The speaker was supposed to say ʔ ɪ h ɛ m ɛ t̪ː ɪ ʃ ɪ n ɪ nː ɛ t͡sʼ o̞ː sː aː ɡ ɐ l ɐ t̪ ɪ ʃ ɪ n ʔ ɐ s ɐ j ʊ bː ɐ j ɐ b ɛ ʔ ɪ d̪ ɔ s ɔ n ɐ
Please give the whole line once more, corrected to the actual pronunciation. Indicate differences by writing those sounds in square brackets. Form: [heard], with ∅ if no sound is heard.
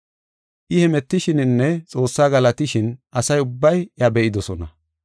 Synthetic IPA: ʔ ɪ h ɛ m ɛ t̪ː ɪ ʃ ɪ n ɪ nː ɛ t͡sʼ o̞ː sː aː ɡ ɐ l ɐ t̪ ɪ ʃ ɪ n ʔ ɐ s ɐ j ʊ bː ɐ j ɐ b ɛ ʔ ɪ d̪ ɔ s ɔ n ɐ